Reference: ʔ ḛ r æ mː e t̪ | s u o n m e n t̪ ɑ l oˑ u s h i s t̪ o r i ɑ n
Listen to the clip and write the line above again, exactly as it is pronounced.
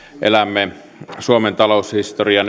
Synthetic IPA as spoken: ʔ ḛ l æ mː e | s u o m e n t̪ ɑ l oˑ u s h i s t̪ o r i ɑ n